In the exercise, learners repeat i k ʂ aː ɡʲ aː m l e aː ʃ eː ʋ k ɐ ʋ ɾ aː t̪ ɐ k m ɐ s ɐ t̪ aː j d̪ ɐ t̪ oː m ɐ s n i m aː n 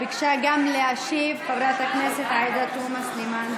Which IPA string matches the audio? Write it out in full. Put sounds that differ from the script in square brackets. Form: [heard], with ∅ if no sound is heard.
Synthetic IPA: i k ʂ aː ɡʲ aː m l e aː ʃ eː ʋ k ɐ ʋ ɾ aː t̪ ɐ k m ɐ s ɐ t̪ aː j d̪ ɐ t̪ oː m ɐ s n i m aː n